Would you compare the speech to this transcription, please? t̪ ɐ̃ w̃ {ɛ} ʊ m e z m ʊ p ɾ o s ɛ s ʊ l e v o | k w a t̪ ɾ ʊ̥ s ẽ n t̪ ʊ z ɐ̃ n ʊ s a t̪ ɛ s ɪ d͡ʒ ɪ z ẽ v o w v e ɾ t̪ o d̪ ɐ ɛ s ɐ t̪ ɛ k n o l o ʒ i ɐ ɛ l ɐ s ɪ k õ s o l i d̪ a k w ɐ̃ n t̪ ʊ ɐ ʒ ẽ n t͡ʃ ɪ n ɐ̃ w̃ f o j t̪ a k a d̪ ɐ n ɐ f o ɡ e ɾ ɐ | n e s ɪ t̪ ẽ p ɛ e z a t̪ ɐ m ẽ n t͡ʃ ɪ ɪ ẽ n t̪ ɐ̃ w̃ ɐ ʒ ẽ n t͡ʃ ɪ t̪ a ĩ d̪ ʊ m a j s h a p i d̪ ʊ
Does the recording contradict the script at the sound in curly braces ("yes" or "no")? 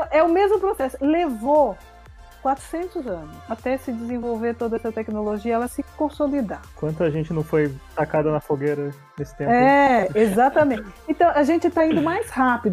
no